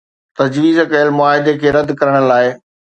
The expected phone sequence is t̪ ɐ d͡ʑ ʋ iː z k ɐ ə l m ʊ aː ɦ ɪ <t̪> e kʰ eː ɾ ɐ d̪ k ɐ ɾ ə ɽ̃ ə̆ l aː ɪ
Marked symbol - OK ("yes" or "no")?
no